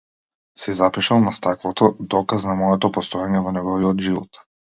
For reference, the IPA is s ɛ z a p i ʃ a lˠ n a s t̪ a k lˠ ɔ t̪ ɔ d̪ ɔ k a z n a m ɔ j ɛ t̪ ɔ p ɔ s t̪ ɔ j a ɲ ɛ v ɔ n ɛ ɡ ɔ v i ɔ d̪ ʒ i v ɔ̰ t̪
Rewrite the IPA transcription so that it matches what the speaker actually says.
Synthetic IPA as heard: s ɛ z a p i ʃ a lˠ n a s t̪ a k lˠ ɔ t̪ ɔ d̪ ɔ k a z n a m ɔ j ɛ t̪ ɔ p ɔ s t̪ ɔ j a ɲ ɛ v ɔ n ɛ ɡ ɔ v i ɔ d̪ ʒ i v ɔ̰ t̪